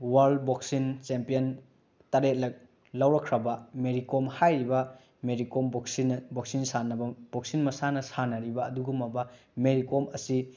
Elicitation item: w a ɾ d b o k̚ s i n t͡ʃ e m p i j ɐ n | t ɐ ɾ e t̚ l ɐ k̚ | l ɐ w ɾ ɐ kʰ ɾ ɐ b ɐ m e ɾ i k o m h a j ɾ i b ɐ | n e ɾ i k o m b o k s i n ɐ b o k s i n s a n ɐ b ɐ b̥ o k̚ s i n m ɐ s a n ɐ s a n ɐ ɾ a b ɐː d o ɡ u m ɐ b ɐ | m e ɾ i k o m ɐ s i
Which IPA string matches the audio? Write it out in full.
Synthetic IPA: w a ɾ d b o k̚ s i n t͡ʃ e m p i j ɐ n | t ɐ ɾ e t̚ l ɐ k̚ | l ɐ w ɾ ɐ kʰ ɾ ɐ b ɐ m e ɾ i k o m h a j ɾ i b ɐ | m e ɾ i k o m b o k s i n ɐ b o k s i n s a n ɐ b ɐ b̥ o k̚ s i n m ɐ s a n ɐ s a n ɐ ɾ i b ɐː d u ɡ u m ɐ b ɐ | m e ɾ i k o m ɐ s i